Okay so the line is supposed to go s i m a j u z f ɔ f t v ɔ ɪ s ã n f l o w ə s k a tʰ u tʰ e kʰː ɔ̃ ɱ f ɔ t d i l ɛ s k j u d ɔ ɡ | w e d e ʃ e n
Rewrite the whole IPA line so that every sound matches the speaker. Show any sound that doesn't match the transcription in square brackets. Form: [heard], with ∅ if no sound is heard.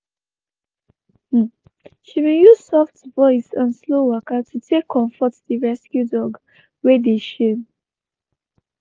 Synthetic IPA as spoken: [ʃ] i m [e] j u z [s] ɔ f t v ɔ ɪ s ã n [s] l o w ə [∅] k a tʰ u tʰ e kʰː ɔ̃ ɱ f ɔ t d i [ɹ] ɛ s k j u d ɔ ɡ | w e d e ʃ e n